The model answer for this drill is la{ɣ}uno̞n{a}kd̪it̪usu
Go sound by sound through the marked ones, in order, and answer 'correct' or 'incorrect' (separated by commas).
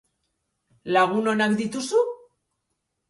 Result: correct, correct